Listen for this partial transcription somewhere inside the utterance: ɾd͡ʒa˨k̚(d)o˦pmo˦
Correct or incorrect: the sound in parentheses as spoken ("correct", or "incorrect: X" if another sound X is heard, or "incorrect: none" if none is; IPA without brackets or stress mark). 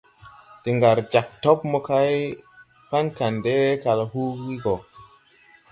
incorrect: t